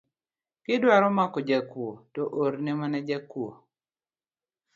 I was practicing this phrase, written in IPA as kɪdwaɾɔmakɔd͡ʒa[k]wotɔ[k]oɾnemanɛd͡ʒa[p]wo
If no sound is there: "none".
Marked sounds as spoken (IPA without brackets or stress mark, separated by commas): k, ʔ, k